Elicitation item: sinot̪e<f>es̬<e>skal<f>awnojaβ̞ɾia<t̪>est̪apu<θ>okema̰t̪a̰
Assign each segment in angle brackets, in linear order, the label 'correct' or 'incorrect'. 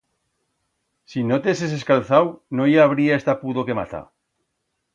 incorrect: s, correct, incorrect: θ, incorrect: none, incorrect: ð

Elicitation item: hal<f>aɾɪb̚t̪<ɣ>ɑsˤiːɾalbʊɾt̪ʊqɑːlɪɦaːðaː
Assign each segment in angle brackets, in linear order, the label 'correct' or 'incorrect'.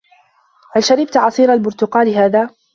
incorrect: ʃ, incorrect: ʕ

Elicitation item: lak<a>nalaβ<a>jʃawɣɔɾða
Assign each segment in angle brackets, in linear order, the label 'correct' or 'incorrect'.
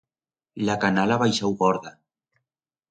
correct, correct

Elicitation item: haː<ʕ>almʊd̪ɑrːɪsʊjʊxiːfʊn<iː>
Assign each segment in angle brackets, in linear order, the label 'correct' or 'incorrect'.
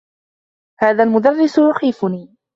incorrect: ð, correct

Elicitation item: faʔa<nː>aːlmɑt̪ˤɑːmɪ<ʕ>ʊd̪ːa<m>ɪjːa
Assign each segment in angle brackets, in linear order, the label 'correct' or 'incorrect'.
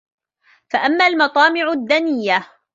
incorrect: mː, correct, incorrect: n

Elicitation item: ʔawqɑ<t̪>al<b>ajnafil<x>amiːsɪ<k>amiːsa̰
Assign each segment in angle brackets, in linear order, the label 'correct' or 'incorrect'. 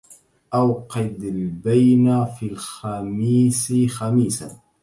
incorrect: d̪, correct, correct, incorrect: x

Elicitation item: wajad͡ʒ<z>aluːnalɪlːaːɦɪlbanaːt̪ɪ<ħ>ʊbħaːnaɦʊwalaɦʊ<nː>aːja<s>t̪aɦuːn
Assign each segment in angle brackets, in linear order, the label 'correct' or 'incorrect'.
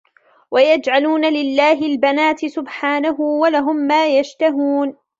incorrect: ʕ, incorrect: s, incorrect: mː, incorrect: ʃ

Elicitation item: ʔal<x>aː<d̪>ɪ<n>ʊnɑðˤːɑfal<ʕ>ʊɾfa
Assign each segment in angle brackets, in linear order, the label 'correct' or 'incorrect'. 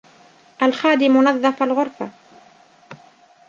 correct, correct, incorrect: m, incorrect: ɣ

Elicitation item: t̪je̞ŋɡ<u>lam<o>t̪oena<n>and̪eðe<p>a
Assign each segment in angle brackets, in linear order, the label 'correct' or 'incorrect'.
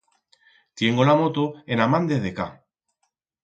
incorrect: o, correct, incorrect: m, incorrect: k

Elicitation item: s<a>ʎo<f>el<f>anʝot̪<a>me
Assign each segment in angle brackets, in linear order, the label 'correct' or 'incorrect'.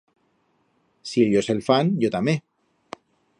incorrect: i, incorrect: s, correct, correct

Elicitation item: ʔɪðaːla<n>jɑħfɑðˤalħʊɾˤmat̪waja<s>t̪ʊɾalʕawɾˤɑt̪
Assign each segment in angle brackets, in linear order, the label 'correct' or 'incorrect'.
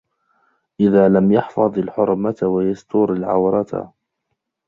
incorrect: m, correct

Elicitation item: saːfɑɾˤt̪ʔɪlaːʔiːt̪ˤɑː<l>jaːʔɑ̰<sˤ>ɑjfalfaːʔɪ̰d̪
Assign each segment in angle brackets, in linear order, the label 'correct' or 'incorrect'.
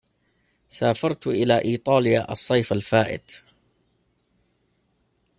correct, incorrect: sˤː

